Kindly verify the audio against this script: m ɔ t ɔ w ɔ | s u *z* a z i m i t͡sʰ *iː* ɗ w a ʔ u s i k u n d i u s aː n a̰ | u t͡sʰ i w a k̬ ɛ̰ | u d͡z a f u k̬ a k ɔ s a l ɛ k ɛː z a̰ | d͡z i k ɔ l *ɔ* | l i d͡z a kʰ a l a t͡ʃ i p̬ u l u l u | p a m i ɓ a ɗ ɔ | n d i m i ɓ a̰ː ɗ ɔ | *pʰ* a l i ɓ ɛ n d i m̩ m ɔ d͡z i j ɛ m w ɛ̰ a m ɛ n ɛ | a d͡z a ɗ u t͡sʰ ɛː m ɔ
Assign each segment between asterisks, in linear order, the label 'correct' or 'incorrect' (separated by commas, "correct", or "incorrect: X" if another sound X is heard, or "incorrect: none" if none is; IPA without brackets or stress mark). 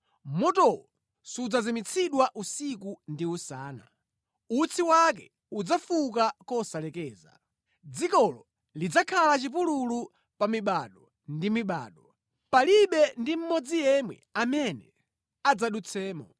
incorrect: d͡z, incorrect: i, correct, incorrect: p